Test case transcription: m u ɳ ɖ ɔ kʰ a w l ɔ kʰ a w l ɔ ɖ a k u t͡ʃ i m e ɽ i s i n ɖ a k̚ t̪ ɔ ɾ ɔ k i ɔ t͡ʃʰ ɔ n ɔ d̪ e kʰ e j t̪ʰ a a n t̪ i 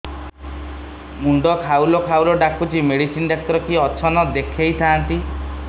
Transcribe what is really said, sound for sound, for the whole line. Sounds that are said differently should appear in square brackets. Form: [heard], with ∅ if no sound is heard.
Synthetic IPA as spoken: m u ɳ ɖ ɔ kʰ a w l ɔ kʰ a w l ɔ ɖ a k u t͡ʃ i m e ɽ i s i n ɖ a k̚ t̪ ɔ ɾ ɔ k i ɔ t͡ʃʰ ɔ n ɔ d̪ e kʰ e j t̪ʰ a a n t̪ i